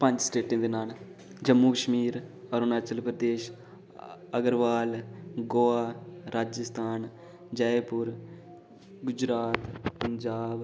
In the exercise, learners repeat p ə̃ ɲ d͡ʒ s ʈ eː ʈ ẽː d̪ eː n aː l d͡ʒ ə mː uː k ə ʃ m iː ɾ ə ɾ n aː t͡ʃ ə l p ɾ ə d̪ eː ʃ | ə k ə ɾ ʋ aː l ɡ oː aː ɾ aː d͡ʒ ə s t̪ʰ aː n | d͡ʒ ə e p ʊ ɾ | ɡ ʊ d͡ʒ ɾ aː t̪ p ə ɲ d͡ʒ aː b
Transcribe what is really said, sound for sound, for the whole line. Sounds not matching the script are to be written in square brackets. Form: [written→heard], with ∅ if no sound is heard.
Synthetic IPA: p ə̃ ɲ d͡ʒ s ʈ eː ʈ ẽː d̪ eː n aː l d͡ʒ ə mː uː k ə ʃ m iː ɾ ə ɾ n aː t͡ʃ ə l p ɾ ə d̪ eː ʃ | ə [k→ɡ] ə ɾ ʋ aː l ɡ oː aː ɾ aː d͡ʒ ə s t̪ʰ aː n | d͡ʒ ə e p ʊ ɾ | ɡ ʊ d͡ʒ ɾ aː t̪ p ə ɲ d͡ʒ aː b